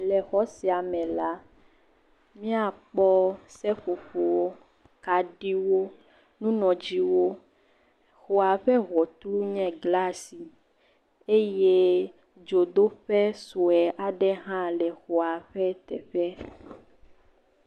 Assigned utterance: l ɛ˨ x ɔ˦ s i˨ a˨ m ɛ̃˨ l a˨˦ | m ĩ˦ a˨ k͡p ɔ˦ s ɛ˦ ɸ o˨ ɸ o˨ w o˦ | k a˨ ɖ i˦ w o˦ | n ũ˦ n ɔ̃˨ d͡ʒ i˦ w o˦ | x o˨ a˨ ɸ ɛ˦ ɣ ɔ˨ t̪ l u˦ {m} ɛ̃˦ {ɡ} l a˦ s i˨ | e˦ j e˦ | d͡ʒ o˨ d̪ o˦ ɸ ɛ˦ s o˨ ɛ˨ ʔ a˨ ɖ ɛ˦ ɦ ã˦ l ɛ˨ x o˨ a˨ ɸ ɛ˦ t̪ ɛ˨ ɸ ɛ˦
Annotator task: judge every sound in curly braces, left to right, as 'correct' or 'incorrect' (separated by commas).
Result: incorrect, correct